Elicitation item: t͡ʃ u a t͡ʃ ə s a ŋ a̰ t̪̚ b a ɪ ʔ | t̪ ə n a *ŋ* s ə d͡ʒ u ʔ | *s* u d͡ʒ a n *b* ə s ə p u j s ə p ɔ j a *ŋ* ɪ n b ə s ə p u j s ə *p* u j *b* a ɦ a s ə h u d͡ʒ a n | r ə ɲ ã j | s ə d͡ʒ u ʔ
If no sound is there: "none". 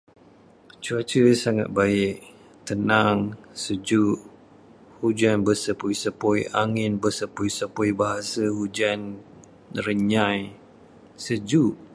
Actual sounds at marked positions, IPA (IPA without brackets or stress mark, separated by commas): ŋ, h, b, ŋ, p, b